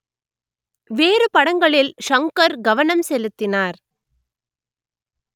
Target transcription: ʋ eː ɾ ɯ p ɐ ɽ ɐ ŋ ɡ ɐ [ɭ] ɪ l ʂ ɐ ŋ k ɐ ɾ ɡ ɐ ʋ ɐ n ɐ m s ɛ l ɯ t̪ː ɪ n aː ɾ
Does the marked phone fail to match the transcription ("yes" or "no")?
no